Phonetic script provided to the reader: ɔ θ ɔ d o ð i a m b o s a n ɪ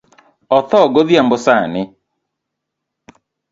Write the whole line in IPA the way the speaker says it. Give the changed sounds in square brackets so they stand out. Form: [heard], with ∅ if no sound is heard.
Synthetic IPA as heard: ɔ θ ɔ [ɡ] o ð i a m b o s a n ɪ